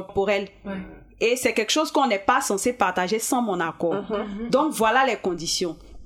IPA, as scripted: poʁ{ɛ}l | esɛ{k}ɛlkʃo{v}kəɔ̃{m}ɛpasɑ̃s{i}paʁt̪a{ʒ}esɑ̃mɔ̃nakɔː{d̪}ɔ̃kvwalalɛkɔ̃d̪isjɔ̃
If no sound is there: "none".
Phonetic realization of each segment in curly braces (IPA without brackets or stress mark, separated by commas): ɛ, k, z, n, e, ʒ, d̪